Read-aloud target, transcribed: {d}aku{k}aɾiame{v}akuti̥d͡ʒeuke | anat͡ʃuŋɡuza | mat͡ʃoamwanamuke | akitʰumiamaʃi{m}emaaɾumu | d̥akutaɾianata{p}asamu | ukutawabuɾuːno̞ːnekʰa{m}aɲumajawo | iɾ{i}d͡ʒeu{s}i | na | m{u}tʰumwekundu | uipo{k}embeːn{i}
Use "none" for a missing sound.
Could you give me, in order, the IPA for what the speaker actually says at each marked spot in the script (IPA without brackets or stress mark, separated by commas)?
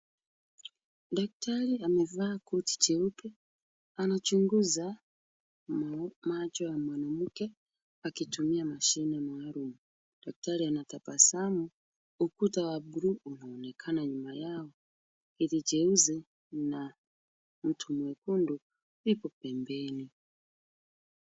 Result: d, t, v, n, p, n, i, z, u, p, i